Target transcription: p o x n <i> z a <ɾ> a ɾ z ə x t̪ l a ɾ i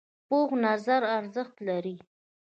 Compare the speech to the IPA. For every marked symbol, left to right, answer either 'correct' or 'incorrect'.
incorrect: a, correct

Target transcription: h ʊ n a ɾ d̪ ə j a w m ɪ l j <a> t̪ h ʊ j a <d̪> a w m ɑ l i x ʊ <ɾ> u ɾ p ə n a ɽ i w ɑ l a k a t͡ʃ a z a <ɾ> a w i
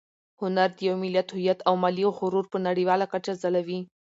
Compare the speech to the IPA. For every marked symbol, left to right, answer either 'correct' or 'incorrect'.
correct, incorrect: t̪, correct, incorrect: l

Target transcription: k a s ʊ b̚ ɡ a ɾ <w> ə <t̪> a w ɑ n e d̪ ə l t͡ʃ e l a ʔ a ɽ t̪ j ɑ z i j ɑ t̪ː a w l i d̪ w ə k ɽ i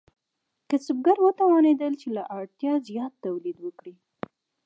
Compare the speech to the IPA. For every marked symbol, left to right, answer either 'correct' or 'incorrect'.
correct, correct

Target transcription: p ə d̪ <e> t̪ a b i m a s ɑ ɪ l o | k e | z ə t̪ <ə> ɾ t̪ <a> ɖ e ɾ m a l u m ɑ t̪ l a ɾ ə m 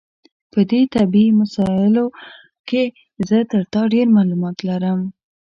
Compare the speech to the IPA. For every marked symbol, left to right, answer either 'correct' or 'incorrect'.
correct, correct, incorrect: ɑ

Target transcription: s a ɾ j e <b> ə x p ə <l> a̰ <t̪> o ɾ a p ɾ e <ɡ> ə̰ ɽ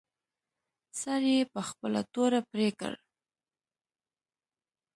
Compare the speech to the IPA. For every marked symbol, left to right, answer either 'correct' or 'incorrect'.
incorrect: p, correct, correct, incorrect: k

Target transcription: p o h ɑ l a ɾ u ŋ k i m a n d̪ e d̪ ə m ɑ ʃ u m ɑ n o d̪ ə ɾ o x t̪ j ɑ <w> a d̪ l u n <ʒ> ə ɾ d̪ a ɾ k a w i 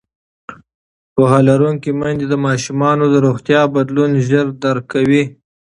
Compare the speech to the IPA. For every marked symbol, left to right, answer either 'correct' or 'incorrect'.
incorrect: b, correct

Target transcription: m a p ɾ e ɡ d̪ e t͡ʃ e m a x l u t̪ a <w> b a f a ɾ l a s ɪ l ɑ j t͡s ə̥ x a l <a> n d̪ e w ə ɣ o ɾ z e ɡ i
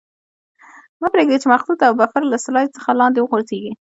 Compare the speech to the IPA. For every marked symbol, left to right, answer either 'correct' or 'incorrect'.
correct, incorrect: ɑ

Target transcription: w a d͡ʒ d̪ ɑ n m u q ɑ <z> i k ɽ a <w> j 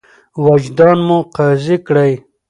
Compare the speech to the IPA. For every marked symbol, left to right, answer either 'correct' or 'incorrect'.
correct, incorrect: none

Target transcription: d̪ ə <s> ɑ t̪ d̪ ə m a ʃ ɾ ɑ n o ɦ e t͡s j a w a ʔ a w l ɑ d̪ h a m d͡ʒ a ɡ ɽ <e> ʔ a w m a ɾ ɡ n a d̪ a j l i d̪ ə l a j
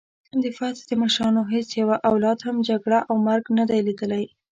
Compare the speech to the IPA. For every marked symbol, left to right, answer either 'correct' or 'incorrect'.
incorrect: f, incorrect: a

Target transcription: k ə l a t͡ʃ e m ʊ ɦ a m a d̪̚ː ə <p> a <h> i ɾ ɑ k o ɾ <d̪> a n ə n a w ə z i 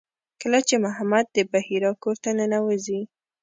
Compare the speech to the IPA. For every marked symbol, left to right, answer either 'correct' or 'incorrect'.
incorrect: b, correct, incorrect: t̪

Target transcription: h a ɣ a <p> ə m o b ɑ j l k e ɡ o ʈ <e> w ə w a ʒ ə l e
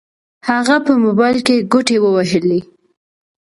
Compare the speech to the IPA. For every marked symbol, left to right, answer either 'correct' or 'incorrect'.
correct, correct

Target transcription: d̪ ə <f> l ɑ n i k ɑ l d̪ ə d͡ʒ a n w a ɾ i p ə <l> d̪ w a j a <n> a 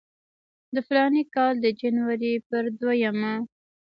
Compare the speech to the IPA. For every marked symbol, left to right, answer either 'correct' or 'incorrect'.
correct, incorrect: ɾ, incorrect: m

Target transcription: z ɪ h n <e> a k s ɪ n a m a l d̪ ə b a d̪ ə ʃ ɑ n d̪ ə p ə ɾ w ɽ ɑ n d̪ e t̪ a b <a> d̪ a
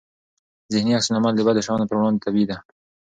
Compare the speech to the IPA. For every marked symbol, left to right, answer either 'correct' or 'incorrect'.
incorrect: i, incorrect: i

